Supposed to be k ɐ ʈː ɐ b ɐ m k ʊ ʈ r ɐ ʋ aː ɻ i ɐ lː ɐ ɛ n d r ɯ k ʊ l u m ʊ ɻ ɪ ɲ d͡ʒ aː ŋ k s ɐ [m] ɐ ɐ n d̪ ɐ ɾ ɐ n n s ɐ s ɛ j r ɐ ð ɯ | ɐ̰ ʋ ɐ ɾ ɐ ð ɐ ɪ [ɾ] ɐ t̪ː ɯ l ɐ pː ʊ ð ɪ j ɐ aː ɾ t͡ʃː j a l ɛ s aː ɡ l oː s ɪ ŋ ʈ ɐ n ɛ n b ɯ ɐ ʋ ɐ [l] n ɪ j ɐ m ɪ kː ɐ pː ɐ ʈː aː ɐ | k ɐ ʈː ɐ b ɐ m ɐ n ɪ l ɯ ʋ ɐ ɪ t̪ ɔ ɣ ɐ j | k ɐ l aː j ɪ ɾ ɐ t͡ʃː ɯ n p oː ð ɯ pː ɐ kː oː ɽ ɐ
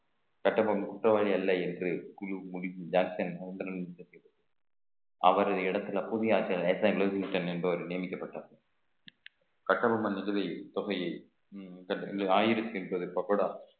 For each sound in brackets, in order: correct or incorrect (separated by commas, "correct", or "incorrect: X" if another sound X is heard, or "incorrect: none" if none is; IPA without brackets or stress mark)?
incorrect: n, incorrect: ɽ, incorrect: ɾ